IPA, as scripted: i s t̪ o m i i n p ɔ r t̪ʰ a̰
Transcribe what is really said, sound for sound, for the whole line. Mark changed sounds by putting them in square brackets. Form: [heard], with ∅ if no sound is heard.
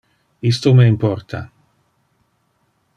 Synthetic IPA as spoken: i s t̪ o m [e] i [m] p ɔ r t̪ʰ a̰